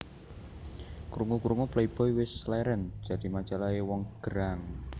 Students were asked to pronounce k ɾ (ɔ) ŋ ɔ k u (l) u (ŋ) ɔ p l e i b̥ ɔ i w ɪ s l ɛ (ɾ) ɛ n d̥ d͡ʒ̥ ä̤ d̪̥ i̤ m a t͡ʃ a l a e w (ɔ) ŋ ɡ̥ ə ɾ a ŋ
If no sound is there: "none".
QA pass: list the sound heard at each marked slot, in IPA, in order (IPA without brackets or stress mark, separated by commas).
u, ɾ, ŋ, ɾ, ɔ